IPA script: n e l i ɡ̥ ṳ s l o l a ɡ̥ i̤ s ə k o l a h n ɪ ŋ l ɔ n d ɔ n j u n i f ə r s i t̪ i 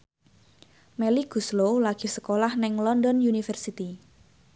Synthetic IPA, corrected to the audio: m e l i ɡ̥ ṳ s l o l a ɡ̥ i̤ s ə k o l a h n ɪ ŋ l ɔ n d ɔ n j u n i f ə r s i t̪ i